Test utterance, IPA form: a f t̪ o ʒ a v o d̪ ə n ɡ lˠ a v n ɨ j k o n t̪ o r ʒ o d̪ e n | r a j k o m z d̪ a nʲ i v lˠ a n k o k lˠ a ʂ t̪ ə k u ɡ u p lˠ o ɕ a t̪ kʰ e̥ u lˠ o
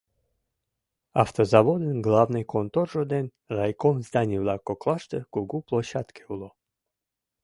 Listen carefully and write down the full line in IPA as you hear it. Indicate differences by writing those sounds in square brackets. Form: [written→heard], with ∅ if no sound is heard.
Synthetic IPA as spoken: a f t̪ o [ʒ→z] a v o d̪ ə n ɡ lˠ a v n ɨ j k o n t̪ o r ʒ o d̪ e n | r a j k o m z d̪ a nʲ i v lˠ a [n→∅] k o k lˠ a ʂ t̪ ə k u ɡ u p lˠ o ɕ a t̪ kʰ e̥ u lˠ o